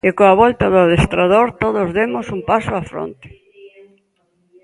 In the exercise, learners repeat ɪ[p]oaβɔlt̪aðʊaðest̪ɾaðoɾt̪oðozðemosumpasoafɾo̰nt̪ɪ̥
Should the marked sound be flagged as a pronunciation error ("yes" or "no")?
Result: yes